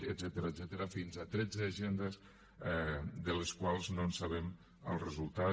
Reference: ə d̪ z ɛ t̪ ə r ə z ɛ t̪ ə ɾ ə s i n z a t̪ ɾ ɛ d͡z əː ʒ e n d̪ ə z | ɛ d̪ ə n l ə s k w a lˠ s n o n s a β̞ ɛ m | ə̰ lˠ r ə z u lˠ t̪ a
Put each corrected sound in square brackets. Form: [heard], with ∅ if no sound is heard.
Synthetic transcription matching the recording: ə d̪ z ɛ t̪ ə [ɾ] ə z ɛ t̪ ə ɾ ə [f] i n z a t̪ ɾ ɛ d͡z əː ʒ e n d̪ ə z | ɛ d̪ ə [∅] l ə s k w a lˠ [z] n o n s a β̞ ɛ m | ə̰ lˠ r ə z u lˠ t̪ a